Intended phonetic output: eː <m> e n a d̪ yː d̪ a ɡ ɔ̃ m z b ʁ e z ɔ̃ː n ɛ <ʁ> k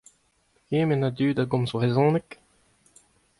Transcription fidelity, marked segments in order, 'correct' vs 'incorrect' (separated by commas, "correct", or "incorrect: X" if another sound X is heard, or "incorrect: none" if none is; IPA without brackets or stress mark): correct, incorrect: none